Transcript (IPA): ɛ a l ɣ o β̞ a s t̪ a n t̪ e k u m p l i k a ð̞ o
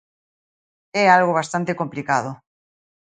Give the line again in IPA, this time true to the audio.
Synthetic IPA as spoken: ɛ a l ɣ o β̞ a s t̪ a n t̪ e k o m p l i k a ð̞ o